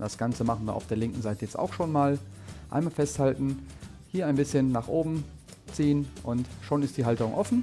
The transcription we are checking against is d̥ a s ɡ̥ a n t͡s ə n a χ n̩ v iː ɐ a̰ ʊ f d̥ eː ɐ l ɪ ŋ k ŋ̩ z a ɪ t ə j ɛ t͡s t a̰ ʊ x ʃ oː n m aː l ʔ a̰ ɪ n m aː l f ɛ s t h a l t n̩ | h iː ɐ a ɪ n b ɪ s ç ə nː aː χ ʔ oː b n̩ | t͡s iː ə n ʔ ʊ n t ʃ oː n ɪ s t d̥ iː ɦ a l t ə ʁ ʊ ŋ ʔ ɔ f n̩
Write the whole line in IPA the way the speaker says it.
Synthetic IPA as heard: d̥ a s ɡ̥ a n t͡s ə m a χ n̩ v iː ɐ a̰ ʊ f d̥ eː ɐ l ɪ ŋ k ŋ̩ z a ɪ t ə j ɛ t͡s t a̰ ʊ x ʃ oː n m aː l ʔ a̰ ɪ n m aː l f ɛ s t h a l t n̩ | h iː ɐ a ɪ n b ɪ s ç ə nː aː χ ʔ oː b m̩ | t͡s iː ə n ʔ ʊ n t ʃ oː n ɪ s t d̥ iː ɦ a l t ə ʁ ʊ ŋ ʔ ɔ f n̩